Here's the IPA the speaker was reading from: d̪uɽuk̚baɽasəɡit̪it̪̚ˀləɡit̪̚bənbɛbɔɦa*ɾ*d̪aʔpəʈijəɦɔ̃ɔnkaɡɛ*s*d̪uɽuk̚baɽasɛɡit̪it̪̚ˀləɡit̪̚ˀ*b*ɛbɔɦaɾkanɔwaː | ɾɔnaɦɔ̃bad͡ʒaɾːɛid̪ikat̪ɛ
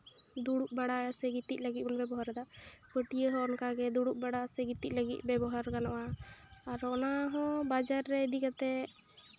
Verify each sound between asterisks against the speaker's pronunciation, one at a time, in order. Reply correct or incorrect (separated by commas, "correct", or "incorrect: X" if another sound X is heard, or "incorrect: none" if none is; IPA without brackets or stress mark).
correct, incorrect: none, correct